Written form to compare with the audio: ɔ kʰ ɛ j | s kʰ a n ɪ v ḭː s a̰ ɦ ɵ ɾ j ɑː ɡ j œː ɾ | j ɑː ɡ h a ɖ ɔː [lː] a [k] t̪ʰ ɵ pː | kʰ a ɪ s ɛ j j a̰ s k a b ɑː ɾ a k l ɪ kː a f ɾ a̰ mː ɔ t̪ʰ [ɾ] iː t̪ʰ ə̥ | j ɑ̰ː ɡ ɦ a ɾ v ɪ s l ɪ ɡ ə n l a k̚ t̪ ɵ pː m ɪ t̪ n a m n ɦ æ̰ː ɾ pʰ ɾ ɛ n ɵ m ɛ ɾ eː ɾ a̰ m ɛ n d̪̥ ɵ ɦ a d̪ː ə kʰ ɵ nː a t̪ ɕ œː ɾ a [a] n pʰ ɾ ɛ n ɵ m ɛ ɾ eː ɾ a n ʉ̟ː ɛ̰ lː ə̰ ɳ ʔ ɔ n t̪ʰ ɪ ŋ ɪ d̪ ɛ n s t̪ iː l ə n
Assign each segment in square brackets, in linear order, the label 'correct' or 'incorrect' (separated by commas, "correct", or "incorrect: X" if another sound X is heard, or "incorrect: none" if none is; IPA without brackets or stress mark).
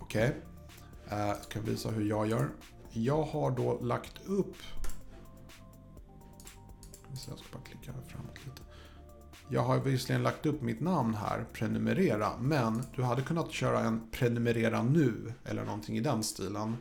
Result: incorrect: l, correct, incorrect: l, incorrect: ɛ